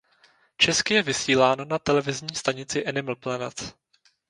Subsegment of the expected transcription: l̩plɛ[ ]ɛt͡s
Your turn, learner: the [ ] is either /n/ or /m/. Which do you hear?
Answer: n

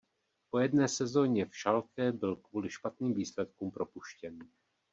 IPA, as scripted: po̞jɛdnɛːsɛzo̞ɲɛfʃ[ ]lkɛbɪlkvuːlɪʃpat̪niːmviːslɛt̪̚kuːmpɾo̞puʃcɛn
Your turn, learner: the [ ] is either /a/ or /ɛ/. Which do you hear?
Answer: a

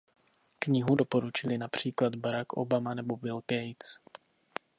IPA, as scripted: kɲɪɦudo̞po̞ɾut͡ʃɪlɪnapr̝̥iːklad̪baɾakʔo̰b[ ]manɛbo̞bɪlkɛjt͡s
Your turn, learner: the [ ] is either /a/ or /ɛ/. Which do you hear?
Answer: a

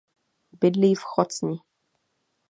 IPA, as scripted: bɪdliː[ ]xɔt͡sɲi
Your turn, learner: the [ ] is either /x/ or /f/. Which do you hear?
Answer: f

